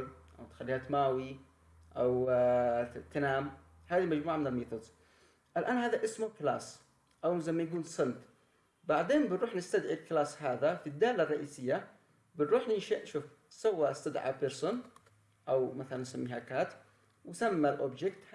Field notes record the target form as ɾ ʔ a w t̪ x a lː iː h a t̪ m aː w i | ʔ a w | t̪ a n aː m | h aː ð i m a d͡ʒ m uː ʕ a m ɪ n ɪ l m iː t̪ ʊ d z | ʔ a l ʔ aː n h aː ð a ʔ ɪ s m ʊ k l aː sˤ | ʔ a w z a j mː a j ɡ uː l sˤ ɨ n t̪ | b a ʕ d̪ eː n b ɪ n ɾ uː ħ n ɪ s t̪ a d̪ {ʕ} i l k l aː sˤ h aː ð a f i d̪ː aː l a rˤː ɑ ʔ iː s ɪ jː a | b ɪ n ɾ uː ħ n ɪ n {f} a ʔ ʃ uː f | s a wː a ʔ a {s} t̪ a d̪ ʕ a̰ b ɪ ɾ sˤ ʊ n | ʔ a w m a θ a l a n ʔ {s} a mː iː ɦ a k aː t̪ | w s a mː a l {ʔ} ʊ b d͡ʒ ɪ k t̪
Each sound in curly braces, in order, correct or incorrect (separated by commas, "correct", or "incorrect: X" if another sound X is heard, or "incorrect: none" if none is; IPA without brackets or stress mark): correct, incorrect: ʃ, correct, correct, correct